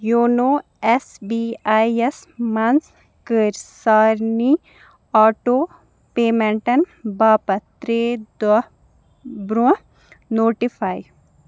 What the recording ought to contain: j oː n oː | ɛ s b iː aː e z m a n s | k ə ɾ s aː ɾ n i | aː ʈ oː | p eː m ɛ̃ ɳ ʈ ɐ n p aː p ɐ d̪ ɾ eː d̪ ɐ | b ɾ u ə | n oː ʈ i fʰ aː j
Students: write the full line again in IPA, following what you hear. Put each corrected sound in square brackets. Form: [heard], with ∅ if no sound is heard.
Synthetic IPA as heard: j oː n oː | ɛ s b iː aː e [s] m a n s | k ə ɾ s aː ɾ n i | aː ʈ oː | p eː m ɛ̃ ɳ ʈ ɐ n [b] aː p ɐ [t̪] ɾ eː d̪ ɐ | b ɾ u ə | n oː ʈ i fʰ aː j